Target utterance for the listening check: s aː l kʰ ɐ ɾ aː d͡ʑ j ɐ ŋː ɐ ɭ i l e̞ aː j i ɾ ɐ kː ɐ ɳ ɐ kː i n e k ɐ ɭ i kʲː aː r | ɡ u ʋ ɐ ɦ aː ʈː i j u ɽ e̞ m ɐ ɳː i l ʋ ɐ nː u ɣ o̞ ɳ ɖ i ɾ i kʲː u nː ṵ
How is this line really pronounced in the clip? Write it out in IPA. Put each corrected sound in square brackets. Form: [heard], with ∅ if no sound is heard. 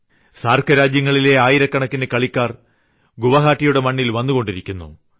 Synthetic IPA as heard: s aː [r] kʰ ɐ ɾ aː d͡ʑ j ɐ ŋː ɐ ɭ i l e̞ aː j i ɾ ɐ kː ɐ ɳ ɐ kː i n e k ɐ ɭ i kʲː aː r | ɡ u ʋ ɐ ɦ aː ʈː i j u ɽ e̞ m ɐ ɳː i l ʋ ɐ nː u ɣ o̞ ɳ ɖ i ɾ i kʲː u nː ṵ

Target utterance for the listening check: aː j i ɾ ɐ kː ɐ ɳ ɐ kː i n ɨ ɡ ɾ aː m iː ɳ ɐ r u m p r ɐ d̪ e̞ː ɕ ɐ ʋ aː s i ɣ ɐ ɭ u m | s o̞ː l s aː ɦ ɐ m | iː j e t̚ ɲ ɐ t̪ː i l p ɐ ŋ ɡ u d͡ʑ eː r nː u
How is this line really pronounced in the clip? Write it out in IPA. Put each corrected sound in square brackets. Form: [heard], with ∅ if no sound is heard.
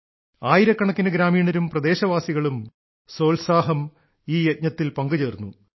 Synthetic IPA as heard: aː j i ɾ ɐ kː ɐ ɳ ɐ kː i n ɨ ɡ ɾ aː m iː ɳ ɐ [ɾ] u m p r ɐ d̪ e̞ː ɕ ɐ ʋ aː s i ɣ ɐ ɭ u m | s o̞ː l s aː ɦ ɐ m | iː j e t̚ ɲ ɐ t̪ː i l p ɐ ŋ ɡ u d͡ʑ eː r nː u

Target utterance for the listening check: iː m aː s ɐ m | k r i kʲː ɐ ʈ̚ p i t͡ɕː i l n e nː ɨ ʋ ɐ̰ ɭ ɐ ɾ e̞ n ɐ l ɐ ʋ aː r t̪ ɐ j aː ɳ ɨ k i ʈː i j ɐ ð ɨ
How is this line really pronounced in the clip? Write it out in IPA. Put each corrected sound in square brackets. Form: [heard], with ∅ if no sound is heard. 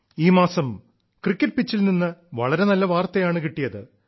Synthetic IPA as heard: iː m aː s ɐ m | k r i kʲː ɐ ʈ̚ p i t͡ɕː i l n [i] nː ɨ ʋ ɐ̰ ɭ ɐ ɾ e̞ n ɐ [lː] ɐ ʋ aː r t̪ ɐ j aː ɳ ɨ k i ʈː i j ɐ ð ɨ

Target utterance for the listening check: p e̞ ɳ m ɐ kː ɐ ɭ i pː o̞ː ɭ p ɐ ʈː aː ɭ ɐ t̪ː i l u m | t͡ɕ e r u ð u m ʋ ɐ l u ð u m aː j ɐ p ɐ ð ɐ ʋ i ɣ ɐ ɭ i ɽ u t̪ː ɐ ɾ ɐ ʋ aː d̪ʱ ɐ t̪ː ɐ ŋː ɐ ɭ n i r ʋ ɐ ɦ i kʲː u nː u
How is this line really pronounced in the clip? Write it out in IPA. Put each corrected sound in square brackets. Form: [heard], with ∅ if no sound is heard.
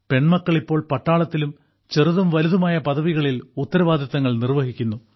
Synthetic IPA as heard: p e̞ ɳ m ɐ kː ɐ ɭ i pː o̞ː ɭ p ɐ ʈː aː ɭ ɐ t̪ː i l u m | t͡ɕ e r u ð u m ʋ ɐ l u ð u m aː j ɐ p ɐ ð ɐ ʋ i ɣ ɐ ɭ i [l] u t̪ː ɐ ɾ ɐ ʋ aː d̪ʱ ɐ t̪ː ɐ ŋː ɐ ɭ n i r ʋ ɐ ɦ i kʲː u nː u

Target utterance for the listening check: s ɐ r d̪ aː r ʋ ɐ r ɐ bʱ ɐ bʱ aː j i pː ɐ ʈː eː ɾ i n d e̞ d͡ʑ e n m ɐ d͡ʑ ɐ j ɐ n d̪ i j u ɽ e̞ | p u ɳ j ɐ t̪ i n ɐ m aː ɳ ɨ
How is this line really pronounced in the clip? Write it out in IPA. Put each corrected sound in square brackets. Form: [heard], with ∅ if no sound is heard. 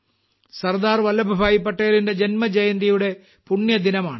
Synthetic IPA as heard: s ɐ r d̪ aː r ʋ ɐ [l] ɐ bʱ ɐ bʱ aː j i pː ɐ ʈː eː [l] i n d e̞ d͡ʑ e n m ɐ d͡ʑ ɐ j ɐ n d̪ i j u ɽ e̞ | p u ɳ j ɐ [d̪] i n ɐ m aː ɳ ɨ

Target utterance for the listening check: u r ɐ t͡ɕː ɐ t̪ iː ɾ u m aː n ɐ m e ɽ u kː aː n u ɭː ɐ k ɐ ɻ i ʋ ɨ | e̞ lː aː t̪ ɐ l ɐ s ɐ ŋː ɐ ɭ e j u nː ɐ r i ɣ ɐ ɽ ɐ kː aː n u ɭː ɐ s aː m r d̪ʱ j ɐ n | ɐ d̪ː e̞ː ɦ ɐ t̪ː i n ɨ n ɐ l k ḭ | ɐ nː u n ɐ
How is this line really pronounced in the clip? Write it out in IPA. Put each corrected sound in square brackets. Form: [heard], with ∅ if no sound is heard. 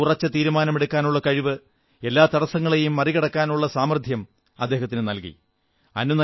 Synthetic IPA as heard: u r ɐ t͡ɕː ɐ t̪ iː ɾ u m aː n ɐ m e ɽ u kː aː n u ɭː ɐ k ɐ ɻ i ʋ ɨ | e̞ lː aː t̪ ɐ [ɽ] ɐ s ɐ ŋː ɐ ɭ e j u [mː] ɐ r i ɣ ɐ ɽ ɐ kː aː n u ɭː ɐ s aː m r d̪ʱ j ɐ [m] | ɐ d̪ː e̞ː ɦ ɐ t̪ː i n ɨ n ɐ l k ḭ | ɐ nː u n ɐ

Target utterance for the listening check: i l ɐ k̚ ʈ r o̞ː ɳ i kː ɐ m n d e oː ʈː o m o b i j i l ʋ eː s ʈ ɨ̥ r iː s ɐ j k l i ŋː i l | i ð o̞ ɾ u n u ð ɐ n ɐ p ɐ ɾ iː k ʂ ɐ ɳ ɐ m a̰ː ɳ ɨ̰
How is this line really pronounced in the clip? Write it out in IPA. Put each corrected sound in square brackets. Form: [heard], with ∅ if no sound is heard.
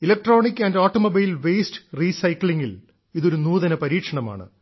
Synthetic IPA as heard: i l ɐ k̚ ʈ r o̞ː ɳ i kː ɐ [∅] n d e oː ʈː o m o b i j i l ʋ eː s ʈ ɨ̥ r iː s ɐ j k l i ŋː i l | i ð o̞ ɾ u n [uː] ð ɐ n ɐ p ɐ ɾ iː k ʂ ɐ ɳ ɐ m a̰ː ɳ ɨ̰

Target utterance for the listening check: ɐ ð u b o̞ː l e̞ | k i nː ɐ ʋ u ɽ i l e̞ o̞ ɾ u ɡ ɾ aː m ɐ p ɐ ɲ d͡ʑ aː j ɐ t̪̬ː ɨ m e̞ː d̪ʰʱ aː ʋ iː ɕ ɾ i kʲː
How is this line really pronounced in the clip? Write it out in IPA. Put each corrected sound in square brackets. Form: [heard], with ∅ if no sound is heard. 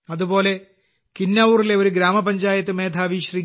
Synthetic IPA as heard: ɐ ð u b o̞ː l e̞ | k i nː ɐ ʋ u [r] i l e̞ o̞ ɾ u ɡ ɾ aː m ɐ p ɐ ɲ d͡ʑ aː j ɐ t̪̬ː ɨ m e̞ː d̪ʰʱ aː ʋ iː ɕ [r] i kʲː

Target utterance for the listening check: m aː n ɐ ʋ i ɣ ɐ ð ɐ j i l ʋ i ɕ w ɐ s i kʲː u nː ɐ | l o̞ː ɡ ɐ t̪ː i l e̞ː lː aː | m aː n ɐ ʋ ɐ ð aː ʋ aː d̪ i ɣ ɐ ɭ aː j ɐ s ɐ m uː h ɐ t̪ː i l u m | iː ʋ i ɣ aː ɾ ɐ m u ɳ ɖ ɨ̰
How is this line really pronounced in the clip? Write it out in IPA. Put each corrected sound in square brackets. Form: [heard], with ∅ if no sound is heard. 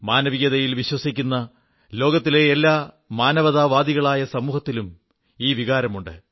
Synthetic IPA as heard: m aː n ɐ ʋ i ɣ ɐ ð ɐ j i l ʋ i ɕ w ɐ s i kʲː u nː ɐ | l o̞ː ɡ ɐ t̪ː i l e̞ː lː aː | m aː n ɐ ʋ ɐ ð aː ʋ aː d̪ i ɣ ɐ ɭ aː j ɐ s ɐ m uː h ɐ t̪ː i l u m | iː ʋ i ɣ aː ɾ ɐ m u ɳ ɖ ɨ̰

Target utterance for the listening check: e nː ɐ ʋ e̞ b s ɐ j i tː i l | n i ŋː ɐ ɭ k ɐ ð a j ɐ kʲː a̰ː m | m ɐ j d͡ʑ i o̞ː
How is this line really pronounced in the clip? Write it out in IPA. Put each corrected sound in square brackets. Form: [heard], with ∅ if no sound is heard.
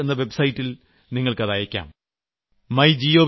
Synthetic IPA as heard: e nː ɐ ʋ e̞ b s ɐ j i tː i l | n i ŋː ɐ ɭ k ɐ ð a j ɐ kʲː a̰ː m | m ɐ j d͡ʑ i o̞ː

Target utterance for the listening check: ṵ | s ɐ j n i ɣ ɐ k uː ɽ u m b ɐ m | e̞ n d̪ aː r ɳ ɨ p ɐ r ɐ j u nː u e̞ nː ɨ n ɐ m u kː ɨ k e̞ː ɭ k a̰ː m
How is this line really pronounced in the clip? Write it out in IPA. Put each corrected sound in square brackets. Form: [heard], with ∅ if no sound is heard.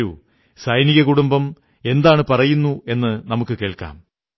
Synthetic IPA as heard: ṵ | s ɐ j n i ɣ ɐ k [u] ɽ u m b ɐ m | e̞ n d̪ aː [∅] ɳ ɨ p ɐ r ɐ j u nː u e̞ nː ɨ n ɐ m u kː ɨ k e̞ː ɭ k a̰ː m

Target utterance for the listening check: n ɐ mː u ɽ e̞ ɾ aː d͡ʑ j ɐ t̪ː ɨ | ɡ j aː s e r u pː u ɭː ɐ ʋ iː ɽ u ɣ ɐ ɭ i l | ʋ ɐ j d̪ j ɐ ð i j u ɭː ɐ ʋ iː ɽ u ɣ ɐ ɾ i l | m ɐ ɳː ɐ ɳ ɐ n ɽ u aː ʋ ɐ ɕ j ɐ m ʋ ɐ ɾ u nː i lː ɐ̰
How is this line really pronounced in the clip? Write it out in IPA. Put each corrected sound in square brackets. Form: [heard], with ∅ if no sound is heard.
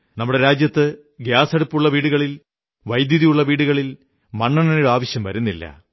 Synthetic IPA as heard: n ɐ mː u ɽ e̞ ɾ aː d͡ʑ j ɐ t̪ː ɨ | ɡ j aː s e [ɽ] u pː u ɭː ɐ ʋ iː ɽ u ɣ ɐ ɭ i l | ʋ ɐ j d̪ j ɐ ð i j u ɭː ɐ ʋ iː ɽ u ɣ ɐ [ɭ] i l | m ɐ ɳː ɐ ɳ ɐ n ɽ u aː ʋ ɐ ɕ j ɐ m ʋ ɐ ɾ u nː i lː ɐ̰

